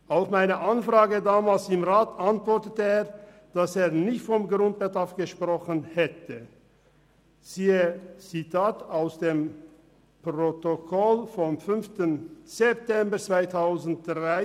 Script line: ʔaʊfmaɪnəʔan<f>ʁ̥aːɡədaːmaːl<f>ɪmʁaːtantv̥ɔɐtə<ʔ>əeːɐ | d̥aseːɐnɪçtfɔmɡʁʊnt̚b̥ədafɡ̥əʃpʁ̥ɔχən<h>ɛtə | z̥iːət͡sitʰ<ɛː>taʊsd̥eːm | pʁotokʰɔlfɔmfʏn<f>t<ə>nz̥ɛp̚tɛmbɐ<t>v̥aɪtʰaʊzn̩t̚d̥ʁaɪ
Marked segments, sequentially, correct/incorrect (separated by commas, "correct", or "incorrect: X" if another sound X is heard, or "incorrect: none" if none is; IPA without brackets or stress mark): correct, incorrect: s, incorrect: t, correct, incorrect: aː, correct, correct, incorrect: t͡s